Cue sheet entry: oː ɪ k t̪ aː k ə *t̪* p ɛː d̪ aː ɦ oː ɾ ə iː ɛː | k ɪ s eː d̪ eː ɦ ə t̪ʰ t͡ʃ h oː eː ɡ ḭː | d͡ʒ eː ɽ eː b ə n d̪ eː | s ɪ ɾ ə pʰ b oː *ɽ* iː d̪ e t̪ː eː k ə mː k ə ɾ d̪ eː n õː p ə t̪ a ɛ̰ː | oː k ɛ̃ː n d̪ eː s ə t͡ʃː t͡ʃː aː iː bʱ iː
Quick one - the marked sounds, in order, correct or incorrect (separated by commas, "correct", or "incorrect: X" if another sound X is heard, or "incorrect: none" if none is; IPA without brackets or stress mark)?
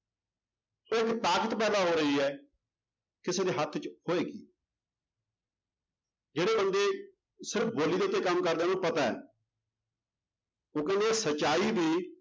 correct, incorrect: l